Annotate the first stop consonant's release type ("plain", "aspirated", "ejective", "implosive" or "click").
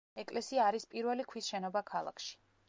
ejective